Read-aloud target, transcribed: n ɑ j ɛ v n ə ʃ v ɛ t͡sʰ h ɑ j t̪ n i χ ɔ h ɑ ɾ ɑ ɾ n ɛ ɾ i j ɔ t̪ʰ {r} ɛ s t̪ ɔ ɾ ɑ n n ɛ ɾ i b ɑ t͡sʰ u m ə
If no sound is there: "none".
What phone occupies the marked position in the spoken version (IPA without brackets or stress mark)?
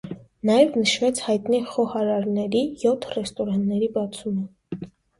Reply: r